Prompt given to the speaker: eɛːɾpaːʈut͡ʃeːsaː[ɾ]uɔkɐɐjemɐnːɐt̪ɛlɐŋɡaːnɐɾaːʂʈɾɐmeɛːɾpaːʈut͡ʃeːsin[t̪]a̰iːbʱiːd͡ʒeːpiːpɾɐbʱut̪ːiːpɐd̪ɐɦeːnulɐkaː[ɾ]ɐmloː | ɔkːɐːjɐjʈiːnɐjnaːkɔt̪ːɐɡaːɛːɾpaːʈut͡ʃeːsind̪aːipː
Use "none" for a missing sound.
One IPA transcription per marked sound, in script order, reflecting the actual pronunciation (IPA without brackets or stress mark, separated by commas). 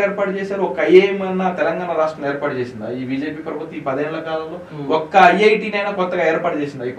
ɾ, d̪, l